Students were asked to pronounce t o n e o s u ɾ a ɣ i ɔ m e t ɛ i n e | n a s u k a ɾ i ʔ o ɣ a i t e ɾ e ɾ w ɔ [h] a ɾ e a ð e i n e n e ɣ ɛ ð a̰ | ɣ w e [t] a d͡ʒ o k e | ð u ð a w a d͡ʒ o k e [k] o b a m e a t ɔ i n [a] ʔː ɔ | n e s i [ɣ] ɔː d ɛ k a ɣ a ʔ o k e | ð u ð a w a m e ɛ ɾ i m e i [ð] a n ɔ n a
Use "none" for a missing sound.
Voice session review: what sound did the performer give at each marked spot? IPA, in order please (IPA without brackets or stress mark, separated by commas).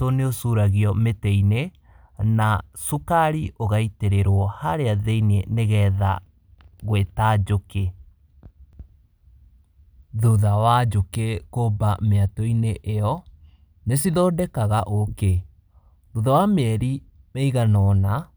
h, t, k, e, ð, ɣ